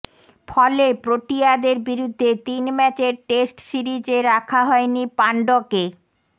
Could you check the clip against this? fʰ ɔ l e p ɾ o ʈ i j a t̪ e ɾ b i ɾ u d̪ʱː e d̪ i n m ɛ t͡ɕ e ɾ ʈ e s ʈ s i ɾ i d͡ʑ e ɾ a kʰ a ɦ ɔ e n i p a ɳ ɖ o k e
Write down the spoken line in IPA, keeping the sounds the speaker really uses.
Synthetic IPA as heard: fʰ ɔ l e p ɾ o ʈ i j a d̪ e ɾ b i ɾ u d̪ʱː e t̪ i n m ɛ t͡ɕ e ɾ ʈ e s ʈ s i ɾ i d͡ʑ e ɾ a kʰ a ɦ ɔ e n i p a ɳ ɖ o k e